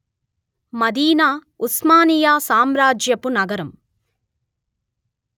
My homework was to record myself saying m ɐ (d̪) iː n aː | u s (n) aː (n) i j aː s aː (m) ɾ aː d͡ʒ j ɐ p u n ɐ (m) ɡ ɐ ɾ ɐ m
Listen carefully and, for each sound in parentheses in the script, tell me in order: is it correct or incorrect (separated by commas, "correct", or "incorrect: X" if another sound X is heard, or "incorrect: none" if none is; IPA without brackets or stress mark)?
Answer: correct, incorrect: m, correct, correct, incorrect: none